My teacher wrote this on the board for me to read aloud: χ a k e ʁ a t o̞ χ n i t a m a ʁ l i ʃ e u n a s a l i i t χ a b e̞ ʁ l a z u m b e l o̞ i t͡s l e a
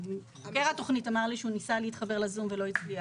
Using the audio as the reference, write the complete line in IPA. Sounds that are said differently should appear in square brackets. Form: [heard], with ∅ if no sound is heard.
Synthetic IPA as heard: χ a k e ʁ a t o̞ χ n i t a m a ʁ l i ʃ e u n [i] s a l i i t χ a b e̞ ʁ l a z u m [v] e l o̞ i t͡s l [i] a